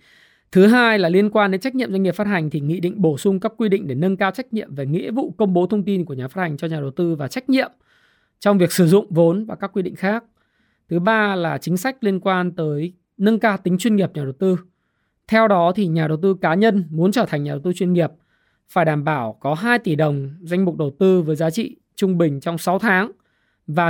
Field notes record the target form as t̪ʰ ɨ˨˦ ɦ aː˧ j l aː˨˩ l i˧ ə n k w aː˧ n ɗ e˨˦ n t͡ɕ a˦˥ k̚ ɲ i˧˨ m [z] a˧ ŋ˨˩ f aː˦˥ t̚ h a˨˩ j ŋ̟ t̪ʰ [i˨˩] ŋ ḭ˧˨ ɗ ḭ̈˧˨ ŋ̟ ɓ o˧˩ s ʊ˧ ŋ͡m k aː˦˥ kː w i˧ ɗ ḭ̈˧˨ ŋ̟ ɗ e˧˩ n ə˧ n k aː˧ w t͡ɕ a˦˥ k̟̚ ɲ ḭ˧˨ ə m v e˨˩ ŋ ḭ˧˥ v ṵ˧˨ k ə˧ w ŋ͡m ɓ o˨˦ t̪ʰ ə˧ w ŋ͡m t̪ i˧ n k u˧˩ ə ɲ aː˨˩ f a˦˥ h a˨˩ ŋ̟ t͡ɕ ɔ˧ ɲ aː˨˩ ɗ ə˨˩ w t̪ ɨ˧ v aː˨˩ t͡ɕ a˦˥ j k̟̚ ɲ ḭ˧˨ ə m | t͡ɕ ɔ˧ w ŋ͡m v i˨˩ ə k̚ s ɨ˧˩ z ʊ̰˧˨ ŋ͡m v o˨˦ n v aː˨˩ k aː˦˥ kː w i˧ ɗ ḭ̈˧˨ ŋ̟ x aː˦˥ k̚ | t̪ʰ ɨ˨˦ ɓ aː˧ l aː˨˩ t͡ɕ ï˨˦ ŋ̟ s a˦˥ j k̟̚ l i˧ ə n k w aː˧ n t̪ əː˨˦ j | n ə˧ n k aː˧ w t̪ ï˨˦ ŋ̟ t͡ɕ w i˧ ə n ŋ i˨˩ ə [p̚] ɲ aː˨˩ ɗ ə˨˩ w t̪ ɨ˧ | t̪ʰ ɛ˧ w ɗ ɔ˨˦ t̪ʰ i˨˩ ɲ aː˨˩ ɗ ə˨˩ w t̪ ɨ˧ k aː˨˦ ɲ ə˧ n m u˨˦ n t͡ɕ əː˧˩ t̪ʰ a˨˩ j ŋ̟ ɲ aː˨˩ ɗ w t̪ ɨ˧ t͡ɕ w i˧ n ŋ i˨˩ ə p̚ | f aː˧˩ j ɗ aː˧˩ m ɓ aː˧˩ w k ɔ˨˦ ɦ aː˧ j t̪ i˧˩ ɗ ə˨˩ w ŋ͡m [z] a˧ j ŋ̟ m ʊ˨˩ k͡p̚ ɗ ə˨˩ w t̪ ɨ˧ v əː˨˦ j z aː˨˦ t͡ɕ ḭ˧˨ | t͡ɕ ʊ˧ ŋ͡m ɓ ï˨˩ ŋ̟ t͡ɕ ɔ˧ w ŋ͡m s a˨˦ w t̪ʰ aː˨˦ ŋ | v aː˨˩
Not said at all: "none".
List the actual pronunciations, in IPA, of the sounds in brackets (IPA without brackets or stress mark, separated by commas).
z, i˨˩, p̚, z